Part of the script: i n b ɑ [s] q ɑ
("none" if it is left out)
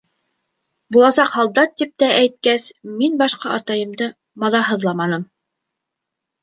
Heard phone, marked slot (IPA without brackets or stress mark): ʃ